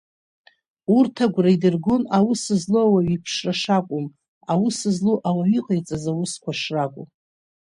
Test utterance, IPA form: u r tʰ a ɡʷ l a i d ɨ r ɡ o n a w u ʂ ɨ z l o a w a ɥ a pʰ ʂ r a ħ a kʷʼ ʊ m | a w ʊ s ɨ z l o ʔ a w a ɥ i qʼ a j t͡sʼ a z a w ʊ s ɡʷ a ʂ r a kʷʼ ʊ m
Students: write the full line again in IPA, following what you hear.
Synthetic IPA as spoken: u r tʰ a ɡʷ r a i d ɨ r ɡ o n a w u s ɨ z l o a w a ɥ i pʰ ʂ r a ʂ a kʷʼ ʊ m | a w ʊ s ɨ z l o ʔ a w a ɥ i qʼ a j t͡sʼ a z a w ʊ s kʷ a ʂ r a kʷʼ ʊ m